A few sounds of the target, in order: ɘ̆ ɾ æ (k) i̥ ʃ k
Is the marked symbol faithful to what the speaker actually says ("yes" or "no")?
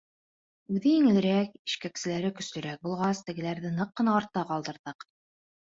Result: yes